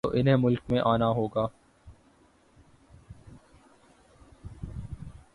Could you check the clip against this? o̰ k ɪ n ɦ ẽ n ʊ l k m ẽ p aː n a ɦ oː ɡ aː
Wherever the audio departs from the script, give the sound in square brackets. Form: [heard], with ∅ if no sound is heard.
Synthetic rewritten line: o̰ [ʔ] ɪ n ɦ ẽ [m] ʊ l k m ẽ [ʔ] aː n a ɦ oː ɡ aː